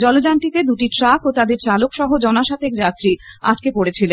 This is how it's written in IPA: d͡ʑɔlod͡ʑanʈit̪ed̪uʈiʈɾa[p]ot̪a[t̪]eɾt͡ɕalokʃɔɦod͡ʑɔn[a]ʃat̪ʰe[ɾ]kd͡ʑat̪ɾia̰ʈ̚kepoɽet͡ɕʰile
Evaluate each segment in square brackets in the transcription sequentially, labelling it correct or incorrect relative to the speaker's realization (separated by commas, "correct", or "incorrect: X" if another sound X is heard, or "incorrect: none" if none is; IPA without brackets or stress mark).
incorrect: k, incorrect: d̪, correct, incorrect: none